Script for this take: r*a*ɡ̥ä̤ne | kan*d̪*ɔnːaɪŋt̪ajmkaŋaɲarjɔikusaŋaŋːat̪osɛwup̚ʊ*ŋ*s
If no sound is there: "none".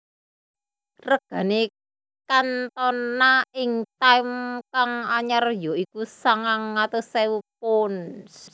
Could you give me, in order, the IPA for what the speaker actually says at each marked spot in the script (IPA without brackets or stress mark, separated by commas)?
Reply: ə, t̪, n